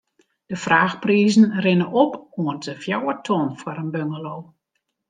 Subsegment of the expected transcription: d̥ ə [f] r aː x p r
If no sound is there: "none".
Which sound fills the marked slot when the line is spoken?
f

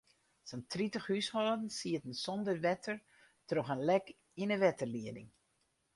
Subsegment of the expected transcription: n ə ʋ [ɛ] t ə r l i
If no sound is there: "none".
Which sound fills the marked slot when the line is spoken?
ɛ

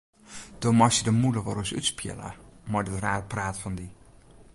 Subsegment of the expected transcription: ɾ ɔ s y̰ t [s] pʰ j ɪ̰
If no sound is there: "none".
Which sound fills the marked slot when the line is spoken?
s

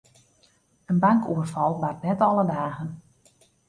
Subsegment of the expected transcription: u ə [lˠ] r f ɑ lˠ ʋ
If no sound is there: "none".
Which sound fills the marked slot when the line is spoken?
none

